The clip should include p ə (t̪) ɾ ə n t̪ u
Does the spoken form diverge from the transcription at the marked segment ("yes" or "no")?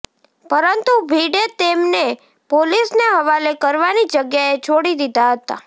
yes